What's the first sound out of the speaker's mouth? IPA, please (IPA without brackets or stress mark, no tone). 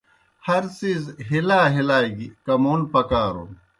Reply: h